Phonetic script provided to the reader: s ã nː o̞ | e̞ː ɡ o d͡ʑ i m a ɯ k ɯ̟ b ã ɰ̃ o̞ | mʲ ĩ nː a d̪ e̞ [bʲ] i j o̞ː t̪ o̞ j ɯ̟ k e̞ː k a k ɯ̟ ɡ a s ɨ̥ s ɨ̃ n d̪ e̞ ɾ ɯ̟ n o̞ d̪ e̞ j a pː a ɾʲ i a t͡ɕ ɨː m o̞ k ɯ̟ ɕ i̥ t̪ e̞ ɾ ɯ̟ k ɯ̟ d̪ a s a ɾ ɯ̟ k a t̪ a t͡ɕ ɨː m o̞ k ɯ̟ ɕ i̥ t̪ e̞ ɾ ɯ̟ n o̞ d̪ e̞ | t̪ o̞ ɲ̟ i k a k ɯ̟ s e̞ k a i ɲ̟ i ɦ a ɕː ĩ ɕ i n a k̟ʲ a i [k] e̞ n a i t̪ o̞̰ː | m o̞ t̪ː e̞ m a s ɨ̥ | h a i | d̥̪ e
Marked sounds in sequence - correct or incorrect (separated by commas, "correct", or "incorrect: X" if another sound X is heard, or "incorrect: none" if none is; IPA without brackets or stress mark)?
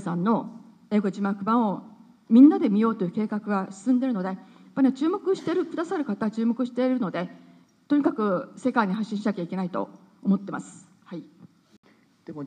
incorrect: mʲ, correct